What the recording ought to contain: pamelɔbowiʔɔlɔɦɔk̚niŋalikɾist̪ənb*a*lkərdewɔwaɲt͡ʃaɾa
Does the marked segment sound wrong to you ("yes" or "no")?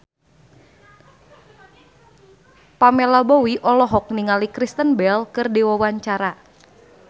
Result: yes